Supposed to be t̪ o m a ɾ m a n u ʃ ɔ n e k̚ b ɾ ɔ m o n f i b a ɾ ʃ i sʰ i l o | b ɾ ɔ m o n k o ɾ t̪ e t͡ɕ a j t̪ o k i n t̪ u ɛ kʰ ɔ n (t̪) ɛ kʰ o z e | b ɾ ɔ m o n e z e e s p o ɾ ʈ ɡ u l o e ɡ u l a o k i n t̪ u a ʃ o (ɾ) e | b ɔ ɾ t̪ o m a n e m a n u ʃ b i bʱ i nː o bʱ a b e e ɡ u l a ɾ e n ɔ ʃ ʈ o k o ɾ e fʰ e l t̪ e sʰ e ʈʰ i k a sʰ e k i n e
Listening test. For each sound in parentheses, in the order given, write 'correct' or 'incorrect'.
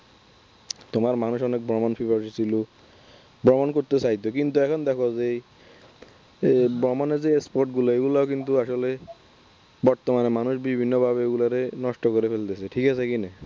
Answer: incorrect, incorrect

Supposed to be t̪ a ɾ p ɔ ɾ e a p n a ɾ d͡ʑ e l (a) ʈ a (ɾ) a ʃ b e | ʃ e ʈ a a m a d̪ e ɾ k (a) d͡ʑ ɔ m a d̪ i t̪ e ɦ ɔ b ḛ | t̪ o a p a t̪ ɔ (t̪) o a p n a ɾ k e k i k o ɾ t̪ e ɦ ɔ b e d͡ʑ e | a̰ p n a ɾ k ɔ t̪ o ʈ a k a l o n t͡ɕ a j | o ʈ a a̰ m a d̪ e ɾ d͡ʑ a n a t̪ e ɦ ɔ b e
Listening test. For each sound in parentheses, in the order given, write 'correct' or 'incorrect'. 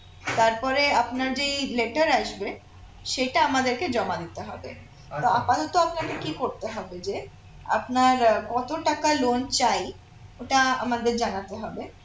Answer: incorrect, correct, incorrect, correct

